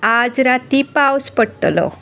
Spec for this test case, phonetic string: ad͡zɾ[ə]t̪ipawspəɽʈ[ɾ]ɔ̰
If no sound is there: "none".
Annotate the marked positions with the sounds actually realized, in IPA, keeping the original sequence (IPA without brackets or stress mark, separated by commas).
a, l